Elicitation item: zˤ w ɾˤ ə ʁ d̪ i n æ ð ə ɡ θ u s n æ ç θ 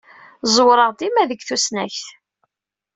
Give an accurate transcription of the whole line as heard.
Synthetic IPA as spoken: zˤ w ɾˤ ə ʁ d̪ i m æ ð ə ɡ θ u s n æ ç θ

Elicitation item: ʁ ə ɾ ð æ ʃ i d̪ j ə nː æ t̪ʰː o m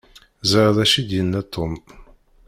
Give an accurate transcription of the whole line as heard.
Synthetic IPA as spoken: z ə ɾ ð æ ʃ i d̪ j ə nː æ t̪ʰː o m

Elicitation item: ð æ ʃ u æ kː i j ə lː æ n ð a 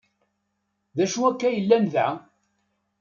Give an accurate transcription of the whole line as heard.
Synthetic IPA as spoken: ð æ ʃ u æ kː æ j ə lː æ n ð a

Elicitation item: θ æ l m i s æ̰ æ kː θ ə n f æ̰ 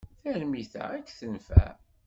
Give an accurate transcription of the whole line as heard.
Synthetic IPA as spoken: θ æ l m i θ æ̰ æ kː θ ə n f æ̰

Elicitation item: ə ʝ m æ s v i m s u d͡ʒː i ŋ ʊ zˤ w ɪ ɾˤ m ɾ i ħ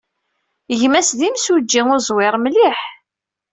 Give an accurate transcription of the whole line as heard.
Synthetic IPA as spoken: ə ʝ m æ s ð i m s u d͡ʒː i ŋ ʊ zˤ w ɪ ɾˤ m l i ħ

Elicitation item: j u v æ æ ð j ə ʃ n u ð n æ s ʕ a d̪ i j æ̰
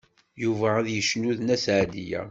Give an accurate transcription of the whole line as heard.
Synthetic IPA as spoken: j u v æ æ ð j ə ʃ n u ð n æ s ʕ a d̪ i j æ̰

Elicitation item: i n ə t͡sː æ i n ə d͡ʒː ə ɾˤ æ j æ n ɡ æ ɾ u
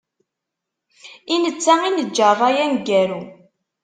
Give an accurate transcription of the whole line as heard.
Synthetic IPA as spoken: i n ə t͡sː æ i n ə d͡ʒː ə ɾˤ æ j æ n ɡ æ ɾ u

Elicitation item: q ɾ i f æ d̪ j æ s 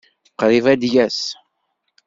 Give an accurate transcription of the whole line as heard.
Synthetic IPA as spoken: q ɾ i v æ d̪ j æ s

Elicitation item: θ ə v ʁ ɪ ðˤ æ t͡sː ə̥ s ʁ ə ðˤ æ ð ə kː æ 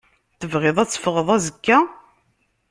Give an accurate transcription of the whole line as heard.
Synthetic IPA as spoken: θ ə v ʁ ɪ ðˤ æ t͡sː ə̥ f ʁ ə ðˤ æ z ə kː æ

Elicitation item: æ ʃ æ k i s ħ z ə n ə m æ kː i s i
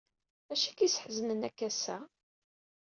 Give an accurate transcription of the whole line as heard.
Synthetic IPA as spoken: æ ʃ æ k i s ħ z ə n ə n æ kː æ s æ

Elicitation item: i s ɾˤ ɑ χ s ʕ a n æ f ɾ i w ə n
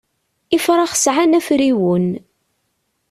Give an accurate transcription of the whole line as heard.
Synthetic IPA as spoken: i f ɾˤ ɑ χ s ʕ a n æ f ɾ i w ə n

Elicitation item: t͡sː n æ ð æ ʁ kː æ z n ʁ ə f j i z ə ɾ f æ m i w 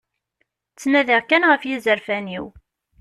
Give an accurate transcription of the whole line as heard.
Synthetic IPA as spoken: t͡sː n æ ð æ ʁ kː æ n ʁ ə f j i z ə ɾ f æ n i w

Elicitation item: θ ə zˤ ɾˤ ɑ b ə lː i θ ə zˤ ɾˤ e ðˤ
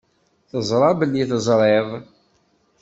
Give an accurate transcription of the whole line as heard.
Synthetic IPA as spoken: θ ə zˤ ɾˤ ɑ b ə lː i θ ə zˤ ɾˤ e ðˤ

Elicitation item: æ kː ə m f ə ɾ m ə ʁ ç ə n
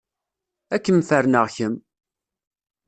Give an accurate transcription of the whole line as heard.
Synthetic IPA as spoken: æ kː ə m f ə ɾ n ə ʁ ç ə m

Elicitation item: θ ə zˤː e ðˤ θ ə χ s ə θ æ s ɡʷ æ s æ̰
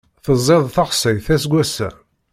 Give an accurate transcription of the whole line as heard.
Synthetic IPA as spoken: θ ə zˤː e ðˤ θ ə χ s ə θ æ s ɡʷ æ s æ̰

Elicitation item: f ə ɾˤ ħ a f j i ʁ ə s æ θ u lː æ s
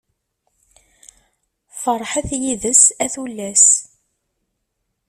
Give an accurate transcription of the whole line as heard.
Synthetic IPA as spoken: f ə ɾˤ ħ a θ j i ð ə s æ θ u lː æ s

